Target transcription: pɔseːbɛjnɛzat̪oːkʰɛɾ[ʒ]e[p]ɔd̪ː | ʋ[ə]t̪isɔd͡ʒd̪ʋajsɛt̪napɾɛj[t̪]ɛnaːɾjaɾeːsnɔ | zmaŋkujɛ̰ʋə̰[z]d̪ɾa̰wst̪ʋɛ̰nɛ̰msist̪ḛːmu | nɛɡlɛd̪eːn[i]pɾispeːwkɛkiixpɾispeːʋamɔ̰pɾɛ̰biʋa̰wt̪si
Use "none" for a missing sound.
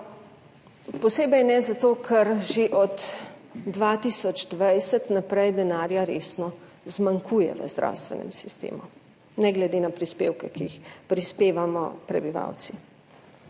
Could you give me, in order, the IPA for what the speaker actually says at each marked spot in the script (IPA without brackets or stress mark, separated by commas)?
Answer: ʒ, ʔ, a, d̪, z, a